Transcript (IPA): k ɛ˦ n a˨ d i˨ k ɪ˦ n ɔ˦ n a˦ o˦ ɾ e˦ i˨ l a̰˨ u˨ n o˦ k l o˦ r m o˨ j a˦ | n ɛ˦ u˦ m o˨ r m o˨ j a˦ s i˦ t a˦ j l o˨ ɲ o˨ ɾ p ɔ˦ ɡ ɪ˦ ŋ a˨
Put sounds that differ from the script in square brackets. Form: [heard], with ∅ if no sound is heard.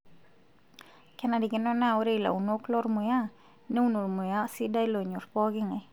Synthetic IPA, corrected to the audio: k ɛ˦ n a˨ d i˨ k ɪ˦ n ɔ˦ n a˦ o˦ ɾ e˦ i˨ l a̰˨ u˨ n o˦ k l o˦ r m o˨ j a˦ | n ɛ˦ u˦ [n] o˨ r m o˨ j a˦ s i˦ [d] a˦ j l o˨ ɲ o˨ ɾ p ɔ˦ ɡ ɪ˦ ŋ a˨